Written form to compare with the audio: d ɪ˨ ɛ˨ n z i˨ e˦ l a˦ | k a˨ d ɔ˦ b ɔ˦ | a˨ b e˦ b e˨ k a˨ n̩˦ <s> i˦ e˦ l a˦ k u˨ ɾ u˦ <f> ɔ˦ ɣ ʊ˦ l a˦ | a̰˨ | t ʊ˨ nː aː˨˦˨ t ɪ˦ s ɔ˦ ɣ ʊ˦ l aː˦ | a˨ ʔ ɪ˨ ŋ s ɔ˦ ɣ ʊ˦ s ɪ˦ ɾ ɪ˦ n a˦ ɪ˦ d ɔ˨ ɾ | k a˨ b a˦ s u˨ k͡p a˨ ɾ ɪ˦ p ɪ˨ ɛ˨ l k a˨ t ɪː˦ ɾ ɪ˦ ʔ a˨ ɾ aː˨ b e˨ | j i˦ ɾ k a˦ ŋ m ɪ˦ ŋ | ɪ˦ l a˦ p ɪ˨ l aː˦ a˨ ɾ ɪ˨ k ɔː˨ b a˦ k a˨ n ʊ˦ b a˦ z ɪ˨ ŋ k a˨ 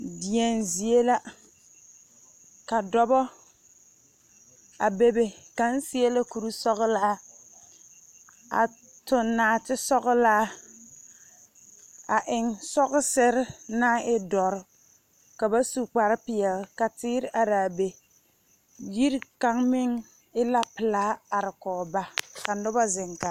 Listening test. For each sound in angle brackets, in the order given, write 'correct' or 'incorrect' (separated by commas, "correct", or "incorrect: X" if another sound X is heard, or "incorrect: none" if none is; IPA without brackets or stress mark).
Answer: correct, incorrect: s